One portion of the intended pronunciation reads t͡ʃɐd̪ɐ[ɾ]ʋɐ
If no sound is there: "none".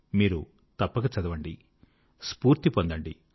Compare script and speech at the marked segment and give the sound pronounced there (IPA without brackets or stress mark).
none